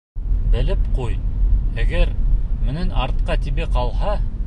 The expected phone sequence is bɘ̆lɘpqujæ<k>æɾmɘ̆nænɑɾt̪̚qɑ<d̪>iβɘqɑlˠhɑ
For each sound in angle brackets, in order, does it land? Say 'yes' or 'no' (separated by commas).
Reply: no, no